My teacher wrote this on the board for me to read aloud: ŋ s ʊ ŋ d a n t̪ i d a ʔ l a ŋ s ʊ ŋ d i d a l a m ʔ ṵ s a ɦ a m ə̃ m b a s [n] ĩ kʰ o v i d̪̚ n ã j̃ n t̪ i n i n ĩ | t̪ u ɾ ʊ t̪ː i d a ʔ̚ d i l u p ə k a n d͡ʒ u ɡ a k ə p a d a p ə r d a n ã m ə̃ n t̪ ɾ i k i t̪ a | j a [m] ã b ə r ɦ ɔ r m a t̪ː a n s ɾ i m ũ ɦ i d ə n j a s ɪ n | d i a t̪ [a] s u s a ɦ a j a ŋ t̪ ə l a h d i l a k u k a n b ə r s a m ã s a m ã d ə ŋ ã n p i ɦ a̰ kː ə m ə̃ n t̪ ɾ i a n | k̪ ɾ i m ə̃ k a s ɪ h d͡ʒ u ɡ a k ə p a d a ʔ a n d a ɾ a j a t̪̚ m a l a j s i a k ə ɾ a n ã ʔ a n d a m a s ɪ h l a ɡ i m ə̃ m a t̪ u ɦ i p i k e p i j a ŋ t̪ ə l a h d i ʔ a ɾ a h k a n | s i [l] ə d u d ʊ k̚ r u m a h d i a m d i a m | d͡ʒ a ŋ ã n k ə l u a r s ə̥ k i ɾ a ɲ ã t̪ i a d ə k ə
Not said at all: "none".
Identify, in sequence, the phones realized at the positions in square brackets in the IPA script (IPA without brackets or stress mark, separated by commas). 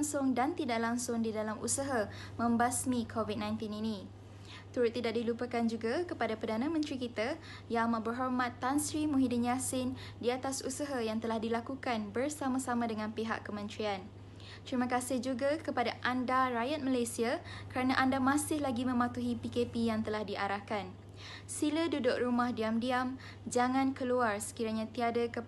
m, m, a, l